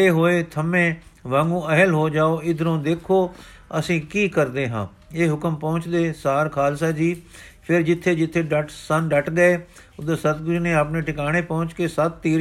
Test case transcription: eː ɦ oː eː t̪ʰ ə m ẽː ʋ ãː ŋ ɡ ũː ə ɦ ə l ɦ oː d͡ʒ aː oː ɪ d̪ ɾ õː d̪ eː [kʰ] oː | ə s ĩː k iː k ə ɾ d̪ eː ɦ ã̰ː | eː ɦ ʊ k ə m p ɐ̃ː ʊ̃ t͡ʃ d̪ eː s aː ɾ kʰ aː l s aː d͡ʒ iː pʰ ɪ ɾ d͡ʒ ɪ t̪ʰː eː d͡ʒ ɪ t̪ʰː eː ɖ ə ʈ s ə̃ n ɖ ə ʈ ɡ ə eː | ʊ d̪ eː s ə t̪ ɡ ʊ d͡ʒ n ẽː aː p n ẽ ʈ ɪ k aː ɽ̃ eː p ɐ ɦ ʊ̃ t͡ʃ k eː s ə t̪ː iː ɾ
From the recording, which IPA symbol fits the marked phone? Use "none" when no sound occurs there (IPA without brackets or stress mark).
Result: kʰ